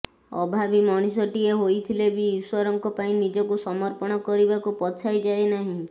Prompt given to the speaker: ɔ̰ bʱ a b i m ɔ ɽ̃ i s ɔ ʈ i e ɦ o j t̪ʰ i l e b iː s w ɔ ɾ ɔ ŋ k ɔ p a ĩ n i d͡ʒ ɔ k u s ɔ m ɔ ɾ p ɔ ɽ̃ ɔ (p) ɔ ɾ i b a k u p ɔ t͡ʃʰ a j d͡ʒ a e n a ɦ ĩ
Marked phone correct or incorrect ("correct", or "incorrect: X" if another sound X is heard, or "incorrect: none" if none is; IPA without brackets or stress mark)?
incorrect: k